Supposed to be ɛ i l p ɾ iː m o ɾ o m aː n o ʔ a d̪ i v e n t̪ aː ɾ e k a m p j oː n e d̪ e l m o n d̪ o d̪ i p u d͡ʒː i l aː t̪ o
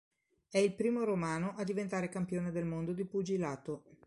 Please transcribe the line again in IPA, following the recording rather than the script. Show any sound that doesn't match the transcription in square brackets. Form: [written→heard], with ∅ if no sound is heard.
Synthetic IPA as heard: ɛ i l p ɾ iː m o ɾ o m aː n o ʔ a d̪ i v e n t̪ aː ɾ e k a m p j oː n e d̪ e l m o n d̪ o d̪ i p u [d͡ʒː→d͡ʒ] i l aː t̪ o